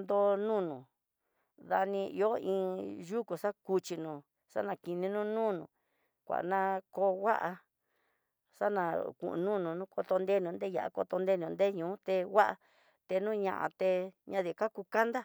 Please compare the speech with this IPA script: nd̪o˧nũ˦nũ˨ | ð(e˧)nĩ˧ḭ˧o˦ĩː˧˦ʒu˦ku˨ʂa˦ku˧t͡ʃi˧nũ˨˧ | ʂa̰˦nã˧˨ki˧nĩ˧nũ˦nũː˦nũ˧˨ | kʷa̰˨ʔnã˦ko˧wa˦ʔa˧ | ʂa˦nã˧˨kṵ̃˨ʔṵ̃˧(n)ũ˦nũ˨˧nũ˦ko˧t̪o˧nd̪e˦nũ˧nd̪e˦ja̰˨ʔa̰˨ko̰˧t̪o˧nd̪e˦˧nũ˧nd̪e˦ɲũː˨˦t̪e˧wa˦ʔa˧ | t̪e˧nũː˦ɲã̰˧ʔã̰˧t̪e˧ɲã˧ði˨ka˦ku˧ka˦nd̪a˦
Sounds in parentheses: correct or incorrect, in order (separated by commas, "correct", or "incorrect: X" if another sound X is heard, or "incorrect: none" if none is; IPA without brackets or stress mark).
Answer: incorrect: a˧, correct